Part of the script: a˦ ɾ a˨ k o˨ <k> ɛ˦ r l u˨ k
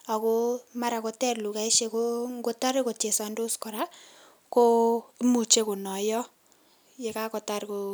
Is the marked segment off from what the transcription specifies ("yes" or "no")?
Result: yes